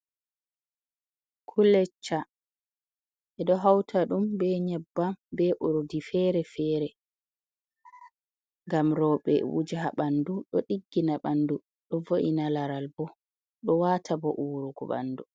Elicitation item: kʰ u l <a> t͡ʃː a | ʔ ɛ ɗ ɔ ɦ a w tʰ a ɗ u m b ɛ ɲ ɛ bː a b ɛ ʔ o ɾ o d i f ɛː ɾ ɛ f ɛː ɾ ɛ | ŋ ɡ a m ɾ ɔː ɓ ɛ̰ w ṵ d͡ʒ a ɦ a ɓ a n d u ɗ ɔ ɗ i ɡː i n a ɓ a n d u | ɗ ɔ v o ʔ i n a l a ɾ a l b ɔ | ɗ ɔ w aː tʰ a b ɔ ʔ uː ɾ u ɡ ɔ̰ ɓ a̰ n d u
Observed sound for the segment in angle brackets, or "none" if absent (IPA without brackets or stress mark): ɛ